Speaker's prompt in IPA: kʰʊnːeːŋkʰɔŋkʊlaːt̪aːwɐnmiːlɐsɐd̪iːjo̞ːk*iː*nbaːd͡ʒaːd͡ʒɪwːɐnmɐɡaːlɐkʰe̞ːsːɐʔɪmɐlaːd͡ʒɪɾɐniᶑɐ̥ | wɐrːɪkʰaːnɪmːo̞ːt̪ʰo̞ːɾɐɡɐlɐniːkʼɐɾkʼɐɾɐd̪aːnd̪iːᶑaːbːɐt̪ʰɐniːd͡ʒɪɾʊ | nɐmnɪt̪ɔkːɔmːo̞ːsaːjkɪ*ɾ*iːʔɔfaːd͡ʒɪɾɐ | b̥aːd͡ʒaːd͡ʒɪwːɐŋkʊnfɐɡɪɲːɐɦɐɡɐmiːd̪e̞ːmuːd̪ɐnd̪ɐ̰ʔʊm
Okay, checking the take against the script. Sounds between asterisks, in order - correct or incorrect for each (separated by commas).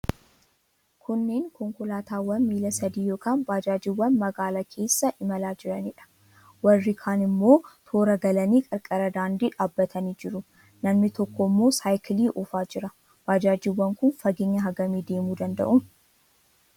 incorrect, incorrect